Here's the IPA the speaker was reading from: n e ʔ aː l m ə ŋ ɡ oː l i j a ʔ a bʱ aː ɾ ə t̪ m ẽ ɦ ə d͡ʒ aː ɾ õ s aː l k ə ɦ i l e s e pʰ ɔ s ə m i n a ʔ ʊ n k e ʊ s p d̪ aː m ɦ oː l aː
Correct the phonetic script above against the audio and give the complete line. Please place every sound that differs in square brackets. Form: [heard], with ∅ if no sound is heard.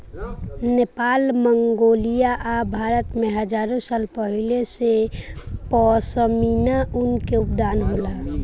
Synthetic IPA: n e [p] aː l m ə ŋ ɡ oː l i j a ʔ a bʱ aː ɾ ə t̪ m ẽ ɦ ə d͡ʒ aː ɾ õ s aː l [p] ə ɦ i l e s e [p] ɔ s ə m i n a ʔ ʊ n k e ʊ [∅] p d̪ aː [n] ɦ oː l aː

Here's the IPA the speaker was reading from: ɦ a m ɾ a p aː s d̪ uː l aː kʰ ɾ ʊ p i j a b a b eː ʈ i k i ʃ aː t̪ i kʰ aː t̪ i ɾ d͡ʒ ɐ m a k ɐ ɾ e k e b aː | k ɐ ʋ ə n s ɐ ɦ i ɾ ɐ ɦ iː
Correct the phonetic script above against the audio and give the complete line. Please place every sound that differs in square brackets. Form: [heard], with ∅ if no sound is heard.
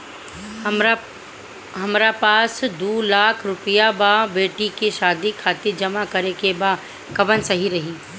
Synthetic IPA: ɦ [ɐ] m ɾ a p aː s d̪ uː l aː kʰ ɾ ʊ p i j a b a b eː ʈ i k i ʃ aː [d̪] i kʰ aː t̪ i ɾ d͡ʒ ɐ m a k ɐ ɾ e k e b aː | k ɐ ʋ ə n s ɐ ɦ i ɾ ɐ ɦ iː

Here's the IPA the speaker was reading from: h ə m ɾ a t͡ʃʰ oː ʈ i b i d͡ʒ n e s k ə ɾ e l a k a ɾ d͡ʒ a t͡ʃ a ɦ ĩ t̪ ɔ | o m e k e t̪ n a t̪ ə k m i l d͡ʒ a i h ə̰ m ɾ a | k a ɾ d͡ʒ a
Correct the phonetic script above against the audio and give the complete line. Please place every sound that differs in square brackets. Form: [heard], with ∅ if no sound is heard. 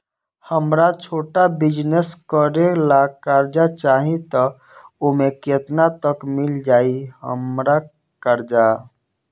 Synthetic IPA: h ə m ɾ a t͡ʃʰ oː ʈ [a] b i d͡ʒ n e s k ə ɾ e l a k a ɾ d͡ʒ a t͡ʃ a ɦ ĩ t̪ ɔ | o m e k e t̪ n a t̪ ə k m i l d͡ʒ a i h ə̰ m ɾ a | k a ɾ d͡ʒ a

